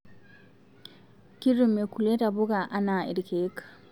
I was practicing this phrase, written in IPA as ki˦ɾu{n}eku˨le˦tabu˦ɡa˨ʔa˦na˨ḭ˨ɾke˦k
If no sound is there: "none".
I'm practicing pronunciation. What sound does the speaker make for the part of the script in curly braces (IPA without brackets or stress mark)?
m